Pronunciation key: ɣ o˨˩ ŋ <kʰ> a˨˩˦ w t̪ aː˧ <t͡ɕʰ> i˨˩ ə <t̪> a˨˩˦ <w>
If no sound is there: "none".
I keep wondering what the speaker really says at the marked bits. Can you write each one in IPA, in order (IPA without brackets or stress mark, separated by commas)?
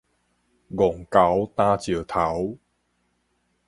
k, t͡ɕ, t̪ʰ, w